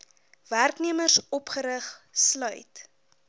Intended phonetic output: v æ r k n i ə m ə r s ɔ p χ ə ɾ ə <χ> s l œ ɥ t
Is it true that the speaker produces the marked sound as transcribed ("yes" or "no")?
yes